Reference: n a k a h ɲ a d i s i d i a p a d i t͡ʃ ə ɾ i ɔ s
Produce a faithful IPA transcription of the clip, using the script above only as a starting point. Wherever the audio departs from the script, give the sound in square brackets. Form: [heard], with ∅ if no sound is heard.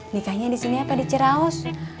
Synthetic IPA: n [i] k a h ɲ a d i s i [n] i a p a d i t͡ʃ ə ɾ [a] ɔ s